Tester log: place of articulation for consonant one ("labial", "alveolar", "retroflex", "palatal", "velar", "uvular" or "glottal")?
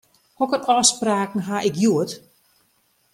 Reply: glottal